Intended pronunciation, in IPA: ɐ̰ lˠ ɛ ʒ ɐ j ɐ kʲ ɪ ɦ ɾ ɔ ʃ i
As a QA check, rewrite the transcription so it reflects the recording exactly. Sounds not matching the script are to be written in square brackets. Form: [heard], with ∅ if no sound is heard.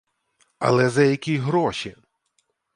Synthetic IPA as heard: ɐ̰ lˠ ɛ [z] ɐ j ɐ kʲ [i] ɦ ɾ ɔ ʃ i